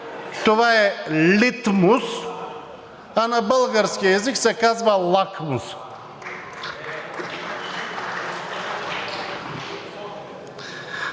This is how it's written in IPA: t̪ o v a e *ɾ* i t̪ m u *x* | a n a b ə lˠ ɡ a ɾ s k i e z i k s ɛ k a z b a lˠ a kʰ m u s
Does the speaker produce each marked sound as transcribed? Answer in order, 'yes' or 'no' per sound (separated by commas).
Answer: no, no